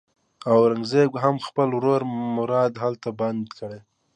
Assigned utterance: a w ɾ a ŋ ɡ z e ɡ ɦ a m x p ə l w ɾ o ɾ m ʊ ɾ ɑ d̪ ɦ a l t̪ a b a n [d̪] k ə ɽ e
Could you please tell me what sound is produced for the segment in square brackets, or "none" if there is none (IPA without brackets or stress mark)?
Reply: d̪